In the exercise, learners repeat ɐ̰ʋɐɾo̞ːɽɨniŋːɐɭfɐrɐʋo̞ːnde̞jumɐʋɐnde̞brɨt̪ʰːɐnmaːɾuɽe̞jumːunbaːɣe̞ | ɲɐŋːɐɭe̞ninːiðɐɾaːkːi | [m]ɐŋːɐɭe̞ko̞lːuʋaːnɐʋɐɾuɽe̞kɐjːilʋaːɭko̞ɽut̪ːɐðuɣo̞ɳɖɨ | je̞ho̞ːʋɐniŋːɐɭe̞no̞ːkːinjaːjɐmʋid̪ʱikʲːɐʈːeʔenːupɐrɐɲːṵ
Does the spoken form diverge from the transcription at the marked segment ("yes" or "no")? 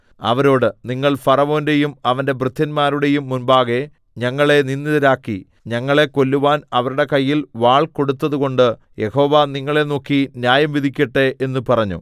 yes